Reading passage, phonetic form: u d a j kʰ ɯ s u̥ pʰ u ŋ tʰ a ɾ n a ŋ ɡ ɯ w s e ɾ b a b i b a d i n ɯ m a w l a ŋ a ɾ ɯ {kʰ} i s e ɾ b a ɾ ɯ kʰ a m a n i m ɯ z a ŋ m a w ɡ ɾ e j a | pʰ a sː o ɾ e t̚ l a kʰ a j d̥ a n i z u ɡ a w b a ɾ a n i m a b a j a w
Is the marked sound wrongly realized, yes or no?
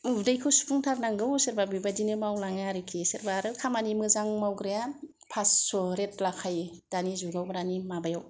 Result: no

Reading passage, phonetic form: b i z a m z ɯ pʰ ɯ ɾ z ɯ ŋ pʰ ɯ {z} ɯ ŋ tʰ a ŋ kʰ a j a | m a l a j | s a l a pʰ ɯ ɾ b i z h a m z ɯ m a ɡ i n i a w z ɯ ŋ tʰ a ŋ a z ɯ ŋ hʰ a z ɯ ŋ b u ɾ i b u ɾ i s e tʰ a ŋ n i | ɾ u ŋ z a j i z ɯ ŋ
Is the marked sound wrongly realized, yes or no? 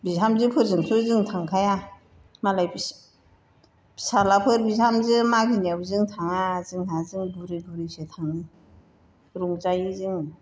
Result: no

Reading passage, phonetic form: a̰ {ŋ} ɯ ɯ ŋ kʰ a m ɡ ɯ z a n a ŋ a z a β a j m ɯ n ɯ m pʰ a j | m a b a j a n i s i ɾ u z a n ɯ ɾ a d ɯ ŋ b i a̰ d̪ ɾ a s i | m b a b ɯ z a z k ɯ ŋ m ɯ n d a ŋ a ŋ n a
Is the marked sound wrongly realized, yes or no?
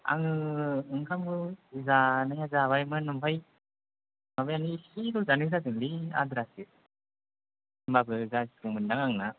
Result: no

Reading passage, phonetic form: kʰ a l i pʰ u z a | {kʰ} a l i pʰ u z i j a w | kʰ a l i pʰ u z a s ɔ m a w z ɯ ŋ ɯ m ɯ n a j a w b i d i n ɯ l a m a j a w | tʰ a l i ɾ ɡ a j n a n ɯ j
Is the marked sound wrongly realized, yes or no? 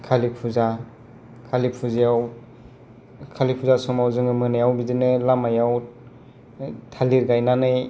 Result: no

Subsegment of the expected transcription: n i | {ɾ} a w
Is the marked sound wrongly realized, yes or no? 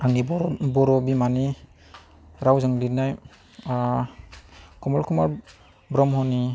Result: no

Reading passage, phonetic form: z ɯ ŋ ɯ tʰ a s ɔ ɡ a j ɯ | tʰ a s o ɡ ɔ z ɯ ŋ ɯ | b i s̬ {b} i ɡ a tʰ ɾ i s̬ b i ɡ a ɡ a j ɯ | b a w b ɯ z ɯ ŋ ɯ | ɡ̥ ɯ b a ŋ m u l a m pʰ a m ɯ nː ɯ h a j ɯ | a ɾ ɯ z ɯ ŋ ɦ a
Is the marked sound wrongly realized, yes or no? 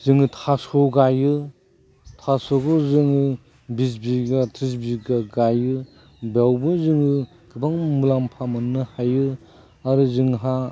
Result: no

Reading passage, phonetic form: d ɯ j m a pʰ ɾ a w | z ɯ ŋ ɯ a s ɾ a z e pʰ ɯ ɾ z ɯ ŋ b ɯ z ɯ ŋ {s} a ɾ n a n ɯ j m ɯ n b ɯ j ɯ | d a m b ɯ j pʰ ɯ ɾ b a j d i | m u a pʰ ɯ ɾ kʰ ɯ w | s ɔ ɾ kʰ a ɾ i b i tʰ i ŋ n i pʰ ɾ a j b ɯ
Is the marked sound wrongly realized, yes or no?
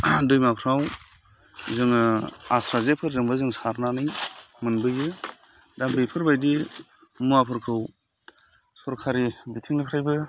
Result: no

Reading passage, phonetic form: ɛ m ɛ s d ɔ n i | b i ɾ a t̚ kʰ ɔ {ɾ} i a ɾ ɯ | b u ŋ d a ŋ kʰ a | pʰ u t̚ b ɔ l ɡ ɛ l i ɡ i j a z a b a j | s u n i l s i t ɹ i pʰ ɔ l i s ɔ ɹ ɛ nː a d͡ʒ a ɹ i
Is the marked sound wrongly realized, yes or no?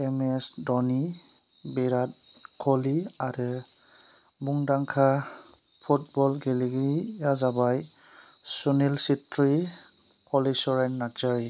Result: yes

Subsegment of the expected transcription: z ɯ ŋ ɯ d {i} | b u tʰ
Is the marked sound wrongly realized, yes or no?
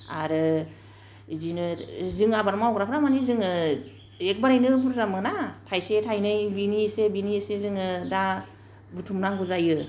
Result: yes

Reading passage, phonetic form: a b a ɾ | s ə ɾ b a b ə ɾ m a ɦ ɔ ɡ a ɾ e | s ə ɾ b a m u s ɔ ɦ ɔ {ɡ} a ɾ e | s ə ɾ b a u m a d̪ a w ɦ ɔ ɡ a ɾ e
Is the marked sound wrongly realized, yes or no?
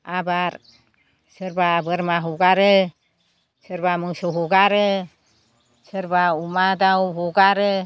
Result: no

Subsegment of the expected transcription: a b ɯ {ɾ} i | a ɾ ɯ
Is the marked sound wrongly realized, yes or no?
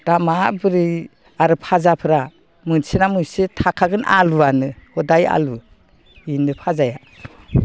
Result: no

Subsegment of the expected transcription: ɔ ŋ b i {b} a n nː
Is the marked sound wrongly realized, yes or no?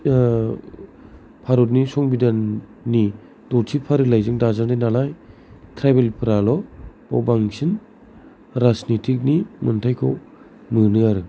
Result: yes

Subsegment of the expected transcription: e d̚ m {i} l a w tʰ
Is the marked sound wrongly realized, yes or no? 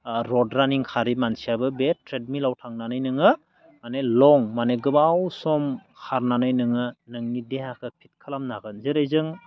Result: no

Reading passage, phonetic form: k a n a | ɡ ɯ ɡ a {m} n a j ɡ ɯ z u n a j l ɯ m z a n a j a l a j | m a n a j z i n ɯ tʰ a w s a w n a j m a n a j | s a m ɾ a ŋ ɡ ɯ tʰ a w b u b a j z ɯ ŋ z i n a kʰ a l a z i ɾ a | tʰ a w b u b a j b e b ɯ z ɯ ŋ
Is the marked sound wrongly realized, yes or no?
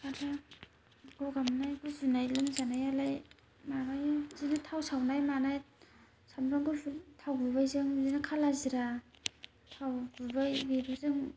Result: no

